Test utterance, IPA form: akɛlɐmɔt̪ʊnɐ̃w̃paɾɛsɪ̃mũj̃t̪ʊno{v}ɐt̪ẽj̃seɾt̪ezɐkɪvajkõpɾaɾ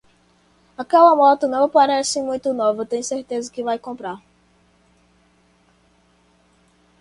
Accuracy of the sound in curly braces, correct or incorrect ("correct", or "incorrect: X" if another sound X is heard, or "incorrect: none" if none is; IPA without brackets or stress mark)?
correct